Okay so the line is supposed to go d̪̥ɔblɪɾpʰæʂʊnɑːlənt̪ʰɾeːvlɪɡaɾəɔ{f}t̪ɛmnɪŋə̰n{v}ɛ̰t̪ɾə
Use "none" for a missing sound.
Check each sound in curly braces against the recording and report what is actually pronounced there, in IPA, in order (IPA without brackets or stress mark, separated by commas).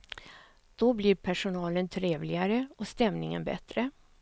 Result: s, b